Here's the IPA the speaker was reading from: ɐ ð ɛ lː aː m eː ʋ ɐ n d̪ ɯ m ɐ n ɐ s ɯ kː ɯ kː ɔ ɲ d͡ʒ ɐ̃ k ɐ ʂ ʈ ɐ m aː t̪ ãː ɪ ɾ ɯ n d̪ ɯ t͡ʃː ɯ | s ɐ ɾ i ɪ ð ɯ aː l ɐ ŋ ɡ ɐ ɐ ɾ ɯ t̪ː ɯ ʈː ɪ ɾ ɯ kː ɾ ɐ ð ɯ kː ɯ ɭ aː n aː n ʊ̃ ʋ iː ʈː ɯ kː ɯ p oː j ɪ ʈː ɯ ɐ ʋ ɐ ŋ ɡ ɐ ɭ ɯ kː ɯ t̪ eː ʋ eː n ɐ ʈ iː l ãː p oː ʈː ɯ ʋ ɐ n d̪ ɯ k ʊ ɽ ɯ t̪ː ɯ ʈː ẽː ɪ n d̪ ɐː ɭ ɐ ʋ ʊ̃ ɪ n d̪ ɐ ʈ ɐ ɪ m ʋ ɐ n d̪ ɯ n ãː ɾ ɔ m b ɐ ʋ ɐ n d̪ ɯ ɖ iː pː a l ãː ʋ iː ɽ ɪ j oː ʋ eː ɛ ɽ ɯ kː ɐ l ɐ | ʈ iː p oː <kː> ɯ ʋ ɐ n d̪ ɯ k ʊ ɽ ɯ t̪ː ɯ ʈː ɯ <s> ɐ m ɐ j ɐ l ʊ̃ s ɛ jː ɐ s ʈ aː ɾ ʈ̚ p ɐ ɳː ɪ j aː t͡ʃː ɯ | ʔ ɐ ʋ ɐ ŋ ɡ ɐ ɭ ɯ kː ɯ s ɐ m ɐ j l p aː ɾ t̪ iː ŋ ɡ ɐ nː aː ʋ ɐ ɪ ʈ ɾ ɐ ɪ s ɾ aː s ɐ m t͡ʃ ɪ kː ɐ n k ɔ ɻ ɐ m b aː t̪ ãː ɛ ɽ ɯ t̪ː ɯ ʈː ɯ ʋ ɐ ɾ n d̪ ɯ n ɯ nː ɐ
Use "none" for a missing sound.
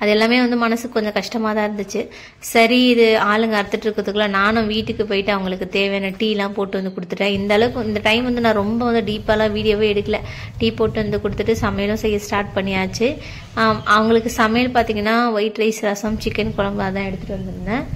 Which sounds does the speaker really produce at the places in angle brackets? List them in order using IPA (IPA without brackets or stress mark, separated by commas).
ʈː, s